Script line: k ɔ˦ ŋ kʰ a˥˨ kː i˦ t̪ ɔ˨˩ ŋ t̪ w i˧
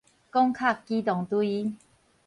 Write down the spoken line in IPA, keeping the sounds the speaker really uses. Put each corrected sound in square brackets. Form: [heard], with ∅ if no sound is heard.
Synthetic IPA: k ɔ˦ ŋ kʰ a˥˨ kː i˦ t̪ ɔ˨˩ ŋ t̪ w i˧

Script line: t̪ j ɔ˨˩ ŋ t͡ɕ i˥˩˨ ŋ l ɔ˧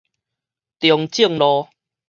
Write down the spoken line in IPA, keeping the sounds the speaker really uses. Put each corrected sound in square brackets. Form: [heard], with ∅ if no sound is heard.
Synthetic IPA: t̪ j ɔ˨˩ ŋ t͡ɕ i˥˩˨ ŋ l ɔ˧

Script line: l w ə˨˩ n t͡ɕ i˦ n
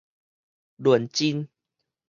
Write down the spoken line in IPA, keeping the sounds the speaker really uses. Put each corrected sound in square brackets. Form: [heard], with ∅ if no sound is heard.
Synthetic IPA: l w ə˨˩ n t͡ɕ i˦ n

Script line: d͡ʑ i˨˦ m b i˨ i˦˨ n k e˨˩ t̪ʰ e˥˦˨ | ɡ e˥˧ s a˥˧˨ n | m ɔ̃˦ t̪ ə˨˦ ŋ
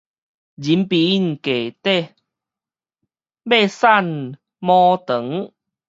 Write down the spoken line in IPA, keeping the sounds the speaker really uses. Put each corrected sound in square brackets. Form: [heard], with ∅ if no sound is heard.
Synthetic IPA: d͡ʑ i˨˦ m [p] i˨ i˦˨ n k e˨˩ [t̪] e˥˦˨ | [b] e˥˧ s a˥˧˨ n | m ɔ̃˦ t̪ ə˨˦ ŋ

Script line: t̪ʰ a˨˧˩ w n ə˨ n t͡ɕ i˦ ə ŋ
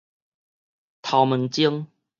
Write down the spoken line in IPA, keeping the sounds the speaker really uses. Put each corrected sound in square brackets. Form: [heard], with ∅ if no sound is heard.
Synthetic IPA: t̪ʰ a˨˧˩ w [m] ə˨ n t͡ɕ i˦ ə ŋ

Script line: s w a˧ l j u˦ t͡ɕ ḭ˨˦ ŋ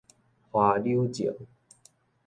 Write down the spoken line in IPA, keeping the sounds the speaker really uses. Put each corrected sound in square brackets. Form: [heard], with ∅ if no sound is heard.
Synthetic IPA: [h] w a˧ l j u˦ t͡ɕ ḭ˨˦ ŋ

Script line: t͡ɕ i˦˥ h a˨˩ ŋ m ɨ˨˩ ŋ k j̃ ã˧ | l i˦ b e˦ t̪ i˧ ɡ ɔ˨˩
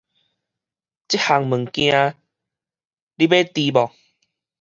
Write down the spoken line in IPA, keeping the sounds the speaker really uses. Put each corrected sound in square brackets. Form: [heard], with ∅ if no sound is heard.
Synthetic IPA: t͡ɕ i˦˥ h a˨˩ ŋ m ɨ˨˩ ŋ k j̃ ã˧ | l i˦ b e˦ t̪ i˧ [b] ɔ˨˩

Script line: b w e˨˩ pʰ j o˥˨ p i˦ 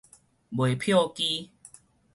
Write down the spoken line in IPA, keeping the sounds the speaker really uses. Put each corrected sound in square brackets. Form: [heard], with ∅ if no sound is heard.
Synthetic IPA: b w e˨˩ pʰ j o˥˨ [k] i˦

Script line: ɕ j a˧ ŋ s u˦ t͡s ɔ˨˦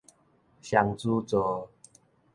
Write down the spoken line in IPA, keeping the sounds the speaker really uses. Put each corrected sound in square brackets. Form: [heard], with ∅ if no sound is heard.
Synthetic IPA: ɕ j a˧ ŋ [t͡s] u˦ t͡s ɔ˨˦

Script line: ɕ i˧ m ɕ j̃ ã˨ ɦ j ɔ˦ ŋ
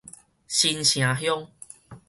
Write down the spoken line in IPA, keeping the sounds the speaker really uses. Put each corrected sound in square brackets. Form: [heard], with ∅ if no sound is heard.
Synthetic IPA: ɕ i˧ [n] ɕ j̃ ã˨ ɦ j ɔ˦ ŋ

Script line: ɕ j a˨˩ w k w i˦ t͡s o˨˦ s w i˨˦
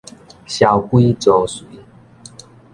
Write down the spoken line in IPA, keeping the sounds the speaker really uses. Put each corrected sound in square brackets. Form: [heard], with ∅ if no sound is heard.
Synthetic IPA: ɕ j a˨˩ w k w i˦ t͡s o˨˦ s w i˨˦

